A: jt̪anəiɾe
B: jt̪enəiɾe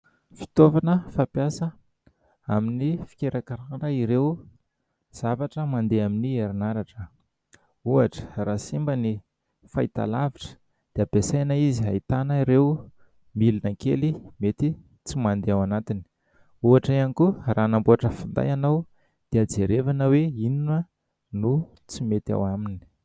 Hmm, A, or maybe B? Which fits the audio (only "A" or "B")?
A